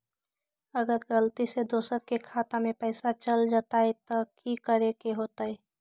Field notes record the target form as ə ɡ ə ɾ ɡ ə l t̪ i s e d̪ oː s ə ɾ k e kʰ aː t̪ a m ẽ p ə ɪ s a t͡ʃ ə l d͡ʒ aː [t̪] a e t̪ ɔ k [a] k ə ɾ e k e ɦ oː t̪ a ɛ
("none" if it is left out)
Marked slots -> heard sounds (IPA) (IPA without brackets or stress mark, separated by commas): t̪, i